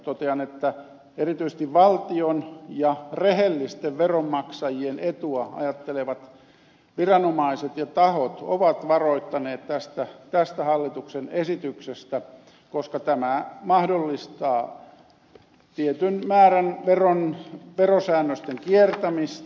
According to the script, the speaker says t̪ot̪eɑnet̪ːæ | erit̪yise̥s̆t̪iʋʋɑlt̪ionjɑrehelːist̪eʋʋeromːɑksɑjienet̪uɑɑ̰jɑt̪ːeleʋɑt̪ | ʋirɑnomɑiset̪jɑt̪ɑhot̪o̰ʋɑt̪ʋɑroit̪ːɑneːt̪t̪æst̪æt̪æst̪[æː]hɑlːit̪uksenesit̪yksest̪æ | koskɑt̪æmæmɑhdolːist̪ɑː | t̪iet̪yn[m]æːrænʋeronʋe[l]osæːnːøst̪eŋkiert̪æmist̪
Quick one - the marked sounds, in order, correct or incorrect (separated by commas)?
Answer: incorrect, correct, incorrect